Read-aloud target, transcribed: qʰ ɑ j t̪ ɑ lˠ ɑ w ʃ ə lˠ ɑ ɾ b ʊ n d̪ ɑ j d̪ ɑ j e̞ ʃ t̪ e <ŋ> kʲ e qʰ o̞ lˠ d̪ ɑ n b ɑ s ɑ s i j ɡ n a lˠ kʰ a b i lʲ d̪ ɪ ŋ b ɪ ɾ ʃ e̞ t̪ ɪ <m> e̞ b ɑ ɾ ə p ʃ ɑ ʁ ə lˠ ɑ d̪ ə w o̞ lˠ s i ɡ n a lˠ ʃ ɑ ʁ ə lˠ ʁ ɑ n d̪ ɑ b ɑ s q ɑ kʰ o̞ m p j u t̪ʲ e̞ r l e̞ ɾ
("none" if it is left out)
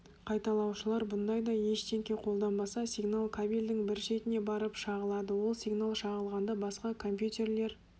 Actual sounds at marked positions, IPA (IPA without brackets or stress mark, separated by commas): ŋ, n